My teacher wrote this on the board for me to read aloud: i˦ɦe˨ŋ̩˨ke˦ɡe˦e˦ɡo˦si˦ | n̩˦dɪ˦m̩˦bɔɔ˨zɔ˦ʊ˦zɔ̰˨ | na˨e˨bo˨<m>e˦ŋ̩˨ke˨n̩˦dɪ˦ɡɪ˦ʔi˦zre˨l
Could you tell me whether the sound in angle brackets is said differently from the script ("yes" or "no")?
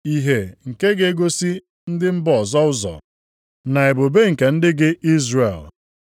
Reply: yes